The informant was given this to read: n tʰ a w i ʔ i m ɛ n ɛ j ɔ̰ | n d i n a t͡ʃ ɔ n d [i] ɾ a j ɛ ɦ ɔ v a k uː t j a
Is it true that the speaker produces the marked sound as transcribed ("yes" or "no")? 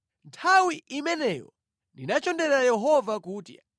no